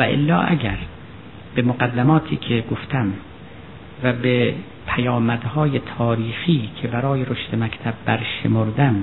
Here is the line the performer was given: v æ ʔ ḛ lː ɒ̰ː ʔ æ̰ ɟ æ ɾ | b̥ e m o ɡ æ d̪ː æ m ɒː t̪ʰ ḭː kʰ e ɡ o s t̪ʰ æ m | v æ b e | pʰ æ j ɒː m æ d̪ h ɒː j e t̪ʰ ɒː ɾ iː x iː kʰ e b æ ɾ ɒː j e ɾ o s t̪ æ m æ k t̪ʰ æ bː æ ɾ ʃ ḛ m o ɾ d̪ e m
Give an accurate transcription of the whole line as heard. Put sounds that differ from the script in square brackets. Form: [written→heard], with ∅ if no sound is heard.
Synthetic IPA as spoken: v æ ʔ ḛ lː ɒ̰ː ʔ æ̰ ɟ æ ɾ | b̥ e m o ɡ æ d̪ː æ m ɒː t̪ʰ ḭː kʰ e ɡ o [s→f] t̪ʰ æ m | v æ b e | pʰ æ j ɒː m æ d̪ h ɒː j e t̪ʰ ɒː ɾ iː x iː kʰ e b æ ɾ ɒː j e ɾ o [s→ʃ] t̪ [æ→e] m æ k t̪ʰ æ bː æ ɾ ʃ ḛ m o ɾ d̪ [e→æ] m